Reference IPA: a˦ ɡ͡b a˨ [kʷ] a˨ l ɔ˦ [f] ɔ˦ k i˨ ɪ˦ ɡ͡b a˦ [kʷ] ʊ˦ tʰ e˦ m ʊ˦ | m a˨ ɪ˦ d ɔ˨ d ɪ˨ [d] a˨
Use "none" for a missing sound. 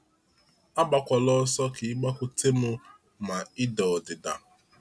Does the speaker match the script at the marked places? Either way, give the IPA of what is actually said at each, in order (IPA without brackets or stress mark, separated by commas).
kʷ, s, kʷ, d